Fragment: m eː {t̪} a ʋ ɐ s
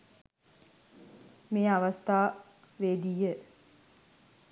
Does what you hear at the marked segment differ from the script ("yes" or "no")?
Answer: yes